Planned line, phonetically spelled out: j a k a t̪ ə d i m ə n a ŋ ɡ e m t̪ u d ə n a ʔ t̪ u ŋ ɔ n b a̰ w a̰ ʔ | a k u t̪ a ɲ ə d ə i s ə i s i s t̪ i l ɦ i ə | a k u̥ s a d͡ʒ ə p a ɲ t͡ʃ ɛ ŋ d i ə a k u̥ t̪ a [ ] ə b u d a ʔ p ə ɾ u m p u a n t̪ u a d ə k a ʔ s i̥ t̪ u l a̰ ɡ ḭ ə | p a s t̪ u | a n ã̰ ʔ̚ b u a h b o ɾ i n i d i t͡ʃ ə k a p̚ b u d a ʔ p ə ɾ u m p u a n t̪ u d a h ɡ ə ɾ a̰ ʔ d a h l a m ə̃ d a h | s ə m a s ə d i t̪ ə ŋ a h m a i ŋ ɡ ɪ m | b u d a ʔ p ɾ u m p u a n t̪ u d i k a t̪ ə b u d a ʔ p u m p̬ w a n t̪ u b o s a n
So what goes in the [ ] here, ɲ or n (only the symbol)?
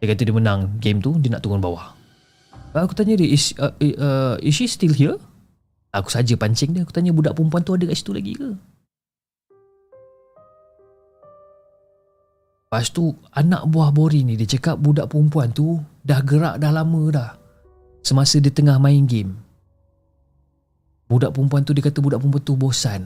ɲ